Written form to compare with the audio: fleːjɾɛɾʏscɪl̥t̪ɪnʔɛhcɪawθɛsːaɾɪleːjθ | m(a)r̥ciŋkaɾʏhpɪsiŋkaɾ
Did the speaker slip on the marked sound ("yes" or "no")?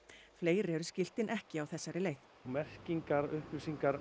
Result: yes